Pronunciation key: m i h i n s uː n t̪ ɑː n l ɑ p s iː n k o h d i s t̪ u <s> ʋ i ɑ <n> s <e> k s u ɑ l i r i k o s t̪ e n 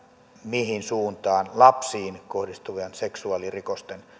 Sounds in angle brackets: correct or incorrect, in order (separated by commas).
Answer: incorrect, correct, correct